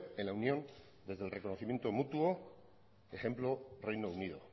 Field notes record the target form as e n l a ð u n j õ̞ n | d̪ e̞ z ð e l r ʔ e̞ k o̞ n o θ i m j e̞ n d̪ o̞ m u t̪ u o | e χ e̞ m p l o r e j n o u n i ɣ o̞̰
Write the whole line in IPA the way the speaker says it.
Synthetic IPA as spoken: e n l a u n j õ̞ n | d̪ e̞ z ð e l r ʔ e̞ k o̞ n o θ i m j e̞ n t̪ o̞ m u t̪ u o | e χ e̞ m p l o r e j n o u n i ð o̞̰

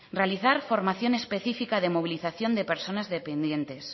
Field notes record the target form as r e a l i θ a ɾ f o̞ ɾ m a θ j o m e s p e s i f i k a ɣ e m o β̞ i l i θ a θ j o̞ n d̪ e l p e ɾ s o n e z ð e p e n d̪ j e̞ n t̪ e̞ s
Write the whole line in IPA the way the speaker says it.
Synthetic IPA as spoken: r e a l i θ a ɾ f o̞ ɾ m a θ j o n e s p e θ i f i k a ð e m o β̞ i l i θ a θ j o̞ n d̪ e p e ɾ s o n a z ð e p e n d̪ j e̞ n t̪ e̞ s

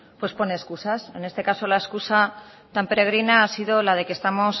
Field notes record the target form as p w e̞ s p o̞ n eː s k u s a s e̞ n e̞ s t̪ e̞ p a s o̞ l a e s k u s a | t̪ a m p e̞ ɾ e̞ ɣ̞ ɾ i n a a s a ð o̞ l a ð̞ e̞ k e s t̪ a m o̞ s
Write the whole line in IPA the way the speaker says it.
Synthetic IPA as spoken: p w e̞ s p o̞ n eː s k u s a s e̞ n e̞ s t̪ e̞ k a s o̞ l a e s k u s a | t̪ a m p e̞ ɾ e̞ ɣ̞ ɾ i n a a s i ð o̞ l a ð̞ e̞ k e s t̪ a m o̞ s

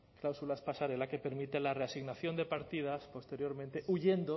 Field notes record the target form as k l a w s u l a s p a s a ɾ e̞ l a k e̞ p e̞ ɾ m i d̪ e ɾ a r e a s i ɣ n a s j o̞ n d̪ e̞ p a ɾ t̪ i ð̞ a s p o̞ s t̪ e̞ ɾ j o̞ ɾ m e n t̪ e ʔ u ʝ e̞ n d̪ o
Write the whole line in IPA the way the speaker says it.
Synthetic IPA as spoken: k l a w s u l a s p a s a ɾ e̞ l a k e̞ p e̞ ɾ m i t̪ e l a r e a s i ɣ n a θ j o̞ n d̪ e̞ p a ɾ t̪ i ð̞ a s p o̞ s t̪ e̞ ɾ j o̞ ɾ m ẽ n t̪ e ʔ u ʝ e̞ n d̪ o

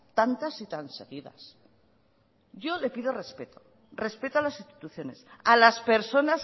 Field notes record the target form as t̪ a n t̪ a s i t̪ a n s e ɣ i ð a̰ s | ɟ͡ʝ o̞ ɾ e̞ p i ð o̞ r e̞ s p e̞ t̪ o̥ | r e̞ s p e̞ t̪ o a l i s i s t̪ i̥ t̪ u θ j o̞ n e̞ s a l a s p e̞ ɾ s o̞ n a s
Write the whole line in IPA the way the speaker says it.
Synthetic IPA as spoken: t̪ a n t̪ a s i t̪ a n s e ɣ i ð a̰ s | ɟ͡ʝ o̞ l e̞ p i ð o̞ r e̞ s p e̞ t̪ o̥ | r e̞ s p e̞ t̪ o a l a s i s t̪ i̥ t̪ u θ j o̞ n e̞ s a l a s p e̞ ɾ s o̞ n a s

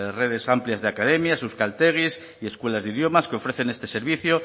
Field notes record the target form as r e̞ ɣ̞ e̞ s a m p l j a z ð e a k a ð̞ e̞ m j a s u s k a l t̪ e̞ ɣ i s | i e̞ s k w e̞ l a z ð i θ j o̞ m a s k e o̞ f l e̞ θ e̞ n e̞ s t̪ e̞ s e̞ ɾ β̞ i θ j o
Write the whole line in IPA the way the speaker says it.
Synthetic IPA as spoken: r e̞ ð̞ e̞ s a m p l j a z ð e a k a ð̞ e̞ m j a s u s k a l t̪ e̞ ɣ i s | i e̞ s k w e̞ l a z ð i ð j o̞ m a s k e o̞ f ɾ e̞ θ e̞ n e̞ s t̪ e̞ s e̞ ɾ β̞ i θ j o

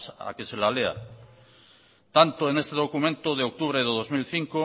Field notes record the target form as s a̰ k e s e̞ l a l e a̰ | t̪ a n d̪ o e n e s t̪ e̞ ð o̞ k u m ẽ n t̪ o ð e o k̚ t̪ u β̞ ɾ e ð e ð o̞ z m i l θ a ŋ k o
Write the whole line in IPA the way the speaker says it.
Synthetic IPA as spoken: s a̰ k e s e̞ l a l e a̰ | t̪ a n t̪ o e n e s t̪ e̞ ð o̞ k u m ẽ n t̪ o ð e o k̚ t̪ u β̞ ɾ e ð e ð o̞ z m i l θ i ŋ k o

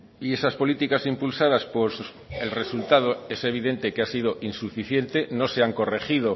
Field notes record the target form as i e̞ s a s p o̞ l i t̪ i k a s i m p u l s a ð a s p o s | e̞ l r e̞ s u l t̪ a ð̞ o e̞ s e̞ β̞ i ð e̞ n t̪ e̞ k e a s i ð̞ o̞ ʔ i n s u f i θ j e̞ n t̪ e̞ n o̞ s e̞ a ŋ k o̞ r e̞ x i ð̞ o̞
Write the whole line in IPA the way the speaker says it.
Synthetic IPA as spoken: i e̞ s a s p o̞ l i t̪ i k a s i m p u l s a ð a s p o s | e̞ l r e̞ s u l t̪ a ð̞ o e̞ s e̞ β̞ i ð e̞ n t̪ e̞ k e a s i ð̞ o̞ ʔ i n s u f i θ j e̞ n t̪ e̞ n o̞ s e̞ a ŋ k o̞ r e̞ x i ð̞ o̞

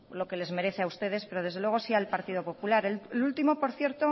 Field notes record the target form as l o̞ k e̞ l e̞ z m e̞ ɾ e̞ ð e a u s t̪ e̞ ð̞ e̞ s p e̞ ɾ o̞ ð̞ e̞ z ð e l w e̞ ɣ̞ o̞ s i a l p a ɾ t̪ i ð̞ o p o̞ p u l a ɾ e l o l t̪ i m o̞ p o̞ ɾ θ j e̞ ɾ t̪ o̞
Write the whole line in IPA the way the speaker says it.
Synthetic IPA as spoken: l o̞ k e̞ l e̞ z m e̞ ɾ e̞ θ e a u s t̪ e̞ ð̞ e̞ s p e̞ ɾ o̞ ð̞ e̞ z ð e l w e̞ ɣ̞ o̞ s i a l p a ɾ t̪ i ð̞ o p o̞ p u l a ɾ e l u l t̪ i m o̞ p o̞ ɾ θ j e̞ ɾ t̪ o̞

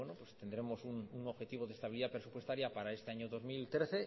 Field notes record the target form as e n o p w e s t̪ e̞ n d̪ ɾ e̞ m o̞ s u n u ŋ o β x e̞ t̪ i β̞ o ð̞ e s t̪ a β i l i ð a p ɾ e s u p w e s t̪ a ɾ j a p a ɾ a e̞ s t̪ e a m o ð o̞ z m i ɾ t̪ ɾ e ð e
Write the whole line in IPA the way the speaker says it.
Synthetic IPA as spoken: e n o p w e s t̪ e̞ n d̪ ɾ e̞ m o̞ s u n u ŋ o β x e̞ t̪ i β̞ o ð̞ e s t̪ a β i l i ð a p ɾ e s u p w e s t̪ a ɾ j a p a ɾ a e̞ s t̪ e a ɲ o ð o̞ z m i l t̪ ɾ e θ e

